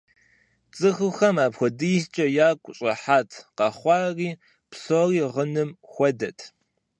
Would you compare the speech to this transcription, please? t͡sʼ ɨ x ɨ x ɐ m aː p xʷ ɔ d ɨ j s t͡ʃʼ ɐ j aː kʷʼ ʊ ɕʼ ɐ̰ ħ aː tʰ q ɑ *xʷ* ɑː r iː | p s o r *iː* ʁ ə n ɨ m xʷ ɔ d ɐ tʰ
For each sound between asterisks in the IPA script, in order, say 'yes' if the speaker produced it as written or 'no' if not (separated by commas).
no, yes